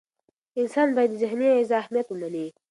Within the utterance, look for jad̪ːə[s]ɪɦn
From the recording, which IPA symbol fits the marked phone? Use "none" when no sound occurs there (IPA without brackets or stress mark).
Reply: z